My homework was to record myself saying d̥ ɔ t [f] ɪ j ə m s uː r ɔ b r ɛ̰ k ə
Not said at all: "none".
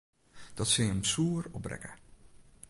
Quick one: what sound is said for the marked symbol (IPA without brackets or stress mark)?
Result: s